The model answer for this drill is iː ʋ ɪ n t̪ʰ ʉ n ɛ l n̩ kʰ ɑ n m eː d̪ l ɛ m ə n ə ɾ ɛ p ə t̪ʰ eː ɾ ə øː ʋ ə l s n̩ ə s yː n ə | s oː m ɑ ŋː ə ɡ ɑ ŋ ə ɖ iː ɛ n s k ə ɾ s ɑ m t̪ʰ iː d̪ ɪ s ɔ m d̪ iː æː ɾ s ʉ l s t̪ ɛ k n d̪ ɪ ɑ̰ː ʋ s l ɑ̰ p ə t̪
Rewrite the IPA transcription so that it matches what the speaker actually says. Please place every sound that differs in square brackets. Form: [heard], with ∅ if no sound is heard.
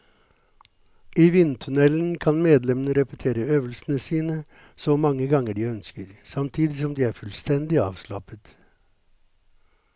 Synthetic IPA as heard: iː ʋ ɪ n t̪ʰ ʉ n ɛ l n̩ kʰ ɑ n m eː d̪ l ɛ m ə n ə ɾ ɛ p ə t̪ʰ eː ɾ ə øː ʋ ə l s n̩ ə s [iː] n ə | s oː m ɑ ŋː ə ɡ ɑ ŋ ə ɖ iː [œ] n s k ə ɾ s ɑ m t̪ʰ iː d̪ ɪ s ɔ m d̪ iː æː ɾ [f] ʉ l s t̪ ɛ [∅] n d̪ ɪ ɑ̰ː ʋ s l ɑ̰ p ə t̪